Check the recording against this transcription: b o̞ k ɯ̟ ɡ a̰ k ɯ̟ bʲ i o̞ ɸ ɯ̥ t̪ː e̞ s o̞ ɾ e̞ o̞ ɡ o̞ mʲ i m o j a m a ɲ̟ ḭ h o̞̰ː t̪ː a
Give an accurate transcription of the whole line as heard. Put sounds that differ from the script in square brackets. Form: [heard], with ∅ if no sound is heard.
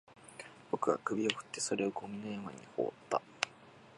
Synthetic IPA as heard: b o̞ k ɯ̟ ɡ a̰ k ɯ̟ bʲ i o̞ ɸ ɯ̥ t̪ː e̞ s o̞ ɾ e̞ o̞ ɡ o̞ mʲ i [n] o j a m a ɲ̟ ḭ h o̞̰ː t̪ː a